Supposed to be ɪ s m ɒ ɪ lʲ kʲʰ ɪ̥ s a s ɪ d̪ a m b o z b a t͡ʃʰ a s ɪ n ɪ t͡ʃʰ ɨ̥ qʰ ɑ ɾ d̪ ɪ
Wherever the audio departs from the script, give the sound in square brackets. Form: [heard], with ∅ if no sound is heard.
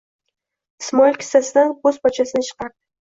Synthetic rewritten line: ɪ s m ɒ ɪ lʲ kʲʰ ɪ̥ s a s ɪ d̪ a [n] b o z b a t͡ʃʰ a s ɪ n ɪ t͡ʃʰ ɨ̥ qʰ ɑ ɾ d̪ ɪ